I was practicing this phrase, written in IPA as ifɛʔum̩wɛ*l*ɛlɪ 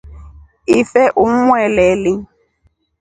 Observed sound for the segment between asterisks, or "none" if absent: l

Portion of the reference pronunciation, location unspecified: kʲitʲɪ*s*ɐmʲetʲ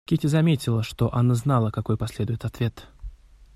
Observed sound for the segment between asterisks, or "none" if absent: z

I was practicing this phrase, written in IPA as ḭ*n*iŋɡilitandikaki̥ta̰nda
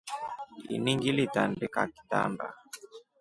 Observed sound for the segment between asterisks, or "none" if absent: n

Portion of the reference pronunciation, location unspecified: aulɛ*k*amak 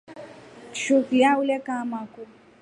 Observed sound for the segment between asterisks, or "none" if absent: k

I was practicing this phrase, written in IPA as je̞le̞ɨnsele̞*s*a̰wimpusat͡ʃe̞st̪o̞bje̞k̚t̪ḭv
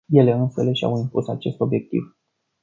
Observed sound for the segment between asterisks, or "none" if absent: ʃ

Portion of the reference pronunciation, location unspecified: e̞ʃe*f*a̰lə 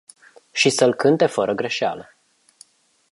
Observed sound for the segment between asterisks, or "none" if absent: none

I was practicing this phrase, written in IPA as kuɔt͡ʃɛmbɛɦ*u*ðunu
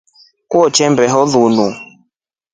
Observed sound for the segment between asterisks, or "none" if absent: ɔ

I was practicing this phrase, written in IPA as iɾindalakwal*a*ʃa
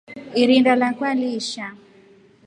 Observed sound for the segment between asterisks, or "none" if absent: i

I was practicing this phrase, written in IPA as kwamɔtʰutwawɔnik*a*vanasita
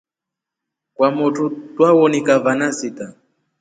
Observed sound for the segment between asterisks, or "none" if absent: a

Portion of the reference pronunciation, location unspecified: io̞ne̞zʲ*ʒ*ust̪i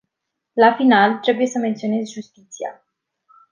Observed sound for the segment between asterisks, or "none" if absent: ʒ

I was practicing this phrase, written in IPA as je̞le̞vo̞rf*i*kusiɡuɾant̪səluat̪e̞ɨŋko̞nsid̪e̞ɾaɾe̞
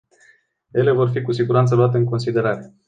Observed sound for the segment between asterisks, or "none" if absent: i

